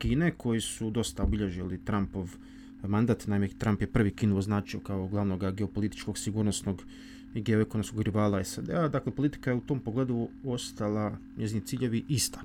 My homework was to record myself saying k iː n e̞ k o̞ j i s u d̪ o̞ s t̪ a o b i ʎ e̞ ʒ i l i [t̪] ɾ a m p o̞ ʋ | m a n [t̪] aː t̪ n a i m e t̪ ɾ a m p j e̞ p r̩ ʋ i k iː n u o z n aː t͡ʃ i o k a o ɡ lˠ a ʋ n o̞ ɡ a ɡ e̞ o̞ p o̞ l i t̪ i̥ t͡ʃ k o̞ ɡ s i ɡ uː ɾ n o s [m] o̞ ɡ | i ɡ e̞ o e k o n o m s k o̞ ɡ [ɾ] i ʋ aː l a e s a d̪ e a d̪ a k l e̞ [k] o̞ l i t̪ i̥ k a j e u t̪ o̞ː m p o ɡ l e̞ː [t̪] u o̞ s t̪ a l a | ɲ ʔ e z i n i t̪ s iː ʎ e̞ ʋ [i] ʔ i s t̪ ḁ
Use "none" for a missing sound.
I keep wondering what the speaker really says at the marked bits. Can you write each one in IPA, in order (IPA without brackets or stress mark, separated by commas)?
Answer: t̪, d̪, n, ɾ, p, d̪, i